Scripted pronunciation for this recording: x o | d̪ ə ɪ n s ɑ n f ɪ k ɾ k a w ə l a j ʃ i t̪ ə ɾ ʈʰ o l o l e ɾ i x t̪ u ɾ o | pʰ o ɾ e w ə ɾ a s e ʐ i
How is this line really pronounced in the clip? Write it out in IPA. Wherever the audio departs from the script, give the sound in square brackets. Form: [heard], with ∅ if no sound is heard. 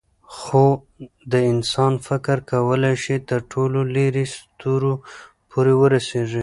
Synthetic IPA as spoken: x o | d̪ ə ɪ n s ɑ n f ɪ k ɾ k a w ə l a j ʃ i t̪ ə ɾ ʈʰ o l o l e ɾ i [s] t̪ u ɾ o | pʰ o ɾ e w ə ɾ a s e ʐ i